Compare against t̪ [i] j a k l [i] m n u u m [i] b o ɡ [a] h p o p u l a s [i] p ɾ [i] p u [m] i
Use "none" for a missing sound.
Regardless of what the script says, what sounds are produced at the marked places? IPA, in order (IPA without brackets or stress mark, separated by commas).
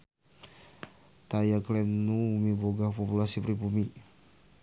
a, ɛ, i, a, i, i, m